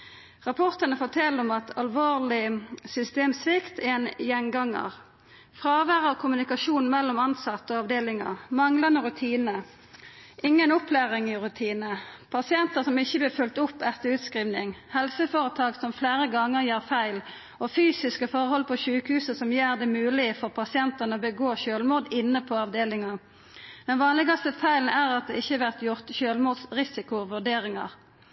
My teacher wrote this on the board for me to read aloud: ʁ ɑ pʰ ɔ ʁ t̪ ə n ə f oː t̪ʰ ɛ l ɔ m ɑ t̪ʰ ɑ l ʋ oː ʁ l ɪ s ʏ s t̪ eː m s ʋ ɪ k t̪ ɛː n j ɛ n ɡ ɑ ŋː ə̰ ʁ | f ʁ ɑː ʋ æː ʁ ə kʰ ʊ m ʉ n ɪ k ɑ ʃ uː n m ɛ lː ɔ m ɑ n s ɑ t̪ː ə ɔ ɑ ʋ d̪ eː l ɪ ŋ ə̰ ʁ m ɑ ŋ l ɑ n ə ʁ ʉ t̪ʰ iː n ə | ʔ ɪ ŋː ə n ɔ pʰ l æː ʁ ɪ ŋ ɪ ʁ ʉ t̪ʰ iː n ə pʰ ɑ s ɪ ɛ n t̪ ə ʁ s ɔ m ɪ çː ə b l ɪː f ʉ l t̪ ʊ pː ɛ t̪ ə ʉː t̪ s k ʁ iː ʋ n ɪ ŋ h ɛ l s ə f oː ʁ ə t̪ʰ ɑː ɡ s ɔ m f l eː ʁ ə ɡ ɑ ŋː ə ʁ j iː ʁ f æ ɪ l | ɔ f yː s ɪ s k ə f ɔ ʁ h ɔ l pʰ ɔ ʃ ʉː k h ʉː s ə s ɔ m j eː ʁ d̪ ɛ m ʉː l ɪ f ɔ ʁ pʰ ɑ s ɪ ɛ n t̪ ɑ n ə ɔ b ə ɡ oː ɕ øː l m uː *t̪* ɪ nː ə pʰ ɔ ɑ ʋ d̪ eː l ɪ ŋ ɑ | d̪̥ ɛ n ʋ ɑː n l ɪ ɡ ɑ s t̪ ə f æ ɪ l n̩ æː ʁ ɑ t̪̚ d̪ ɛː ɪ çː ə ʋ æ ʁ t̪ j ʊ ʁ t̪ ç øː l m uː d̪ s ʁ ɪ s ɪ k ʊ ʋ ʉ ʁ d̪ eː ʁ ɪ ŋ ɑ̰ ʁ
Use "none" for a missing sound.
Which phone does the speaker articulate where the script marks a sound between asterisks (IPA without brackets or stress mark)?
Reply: d̪